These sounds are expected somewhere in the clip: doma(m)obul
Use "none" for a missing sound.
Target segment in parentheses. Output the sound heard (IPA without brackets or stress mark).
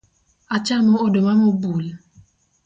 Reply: m